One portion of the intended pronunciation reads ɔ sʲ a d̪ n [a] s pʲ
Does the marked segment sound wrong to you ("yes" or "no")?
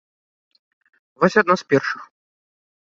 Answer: no